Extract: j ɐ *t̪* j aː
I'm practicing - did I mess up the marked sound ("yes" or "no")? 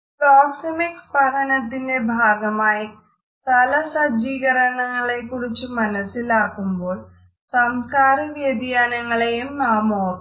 yes